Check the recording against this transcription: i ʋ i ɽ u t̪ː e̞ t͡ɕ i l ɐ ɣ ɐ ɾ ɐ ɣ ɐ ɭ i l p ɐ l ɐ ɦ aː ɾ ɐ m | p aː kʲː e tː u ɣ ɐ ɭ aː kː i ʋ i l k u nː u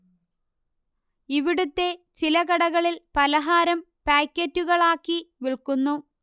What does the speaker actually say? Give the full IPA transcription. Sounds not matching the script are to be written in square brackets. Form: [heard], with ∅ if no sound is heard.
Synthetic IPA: i ʋ i ɽ u t̪ː e̞ t͡ɕ i l ɐ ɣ ɐ [ɽ] ɐ ɣ ɐ ɭ i l p ɐ l ɐ ɦ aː ɾ ɐ m | p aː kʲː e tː u ɣ ɐ ɭ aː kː i ʋ i [ɭ] k u nː u

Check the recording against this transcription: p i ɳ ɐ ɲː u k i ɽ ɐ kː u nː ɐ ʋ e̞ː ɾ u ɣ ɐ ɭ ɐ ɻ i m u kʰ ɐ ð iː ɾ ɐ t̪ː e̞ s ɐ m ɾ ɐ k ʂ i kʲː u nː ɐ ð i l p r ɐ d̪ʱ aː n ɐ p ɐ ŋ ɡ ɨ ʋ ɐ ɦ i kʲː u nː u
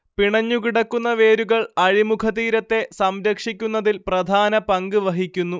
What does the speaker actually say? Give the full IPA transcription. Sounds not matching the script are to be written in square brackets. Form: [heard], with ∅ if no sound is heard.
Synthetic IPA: p i ɳ ɐ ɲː u k i ɽ ɐ kː u nː ɐ ʋ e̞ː ɾ u ɣ ɐ ɭ ɐ ɻ i m u kʰ ɐ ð iː ɾ ɐ t̪ː e̞ s ɐ m ɾ ɐ k ʂ i kʲː u nː ɐ ð i l p r ɐ d̪ʱ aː n ɐ p ɐ ŋ ɡ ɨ ʋ ɐ ɦ i kʲː u nː u

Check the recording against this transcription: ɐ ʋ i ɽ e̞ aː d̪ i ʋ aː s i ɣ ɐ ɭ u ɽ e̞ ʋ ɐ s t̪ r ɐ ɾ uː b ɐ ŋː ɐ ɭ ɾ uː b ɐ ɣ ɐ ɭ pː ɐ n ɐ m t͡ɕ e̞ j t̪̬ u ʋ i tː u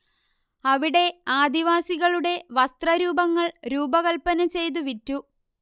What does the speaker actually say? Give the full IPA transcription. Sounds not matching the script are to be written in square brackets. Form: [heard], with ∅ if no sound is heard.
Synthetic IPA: ɐ ʋ i ɽ e̞ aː d̪ i ʋ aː s i ɣ ɐ ɭ u ɽ e̞ ʋ ɐ s t̪ r ɐ ɾ uː b ɐ ŋː ɐ ɭ ɾ uː b ɐ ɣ ɐ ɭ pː ɐ n ɐ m t͡ɕ e̞ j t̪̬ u ʋ i tː u

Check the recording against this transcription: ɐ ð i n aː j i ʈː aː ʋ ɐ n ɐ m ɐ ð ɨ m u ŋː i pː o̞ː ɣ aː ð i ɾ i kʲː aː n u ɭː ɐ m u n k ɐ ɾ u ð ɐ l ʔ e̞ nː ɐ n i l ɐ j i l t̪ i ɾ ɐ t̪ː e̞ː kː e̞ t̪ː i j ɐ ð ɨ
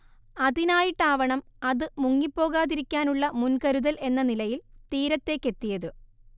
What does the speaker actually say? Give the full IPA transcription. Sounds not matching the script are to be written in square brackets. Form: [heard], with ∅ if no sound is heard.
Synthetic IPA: ɐ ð i n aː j i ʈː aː ʋ ɐ [ɳ] ɐ m ɐ ð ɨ m u ŋː i pː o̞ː ɣ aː ð i ɾ i kʲː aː n u ɭː ɐ m u n k ɐ ɾ u ð ɐ l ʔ e̞ nː ɐ n i l ɐ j i l t̪ [iː] ɾ ɐ t̪ː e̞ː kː e̞ t̪ː i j ɐ ð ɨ

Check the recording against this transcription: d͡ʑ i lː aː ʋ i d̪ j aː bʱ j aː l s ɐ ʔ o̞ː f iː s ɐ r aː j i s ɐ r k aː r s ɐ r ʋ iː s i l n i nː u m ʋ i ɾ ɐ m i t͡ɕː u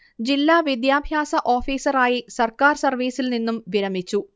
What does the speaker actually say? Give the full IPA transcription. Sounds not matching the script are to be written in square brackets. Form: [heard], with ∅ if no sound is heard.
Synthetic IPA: d͡ʑ i lː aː ʋ i d̪ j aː bʱ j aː [∅] s ɐ ʔ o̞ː f iː s ɐ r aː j i s ɐ r k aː r s ɐ r ʋ iː s i l n i nː u m ʋ i ɾ ɐ m i t͡ɕː u

